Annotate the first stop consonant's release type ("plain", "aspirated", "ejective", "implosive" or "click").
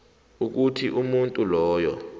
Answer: plain